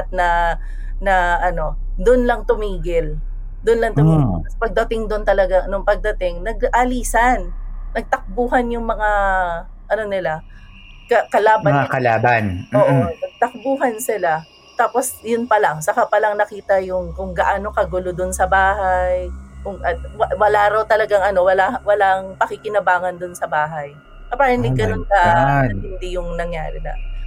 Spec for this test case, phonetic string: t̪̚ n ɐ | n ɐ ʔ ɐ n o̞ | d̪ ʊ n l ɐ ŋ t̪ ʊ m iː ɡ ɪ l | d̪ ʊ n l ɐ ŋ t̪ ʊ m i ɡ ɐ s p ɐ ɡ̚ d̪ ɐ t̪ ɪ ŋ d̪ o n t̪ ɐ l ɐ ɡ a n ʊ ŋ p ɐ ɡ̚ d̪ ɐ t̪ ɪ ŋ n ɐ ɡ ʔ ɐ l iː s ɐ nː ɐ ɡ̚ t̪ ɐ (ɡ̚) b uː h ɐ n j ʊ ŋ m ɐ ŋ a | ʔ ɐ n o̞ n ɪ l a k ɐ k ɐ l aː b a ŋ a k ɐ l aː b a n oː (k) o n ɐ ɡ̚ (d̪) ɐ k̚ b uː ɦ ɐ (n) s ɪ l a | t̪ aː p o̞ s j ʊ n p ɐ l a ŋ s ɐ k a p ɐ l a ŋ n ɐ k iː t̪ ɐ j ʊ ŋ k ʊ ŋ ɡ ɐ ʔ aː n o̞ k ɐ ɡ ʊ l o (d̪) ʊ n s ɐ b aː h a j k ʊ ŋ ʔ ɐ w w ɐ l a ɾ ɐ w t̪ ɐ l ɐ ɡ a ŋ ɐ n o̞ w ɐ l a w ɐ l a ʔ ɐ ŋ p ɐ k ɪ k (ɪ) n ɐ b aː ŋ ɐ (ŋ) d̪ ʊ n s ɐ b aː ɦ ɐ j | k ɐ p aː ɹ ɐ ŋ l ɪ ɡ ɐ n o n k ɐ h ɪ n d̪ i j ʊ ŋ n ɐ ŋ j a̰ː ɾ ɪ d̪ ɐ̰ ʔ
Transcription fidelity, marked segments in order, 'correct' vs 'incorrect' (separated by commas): incorrect, incorrect, incorrect, correct, correct, correct, incorrect